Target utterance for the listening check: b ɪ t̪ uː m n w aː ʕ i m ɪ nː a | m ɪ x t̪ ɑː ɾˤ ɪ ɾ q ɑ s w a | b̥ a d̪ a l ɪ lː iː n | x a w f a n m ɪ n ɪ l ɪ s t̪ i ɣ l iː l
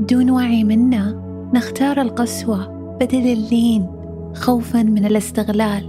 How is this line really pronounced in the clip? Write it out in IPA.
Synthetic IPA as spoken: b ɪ d̪ uː n w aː ʕ i m ɪ nː a | n ɪ x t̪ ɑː ɾˤ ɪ l q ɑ s w a | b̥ a d̪ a l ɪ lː iː n | x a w f a n m ɪ n ɪ l ɪ s t̪ ɪ ɣ l aː l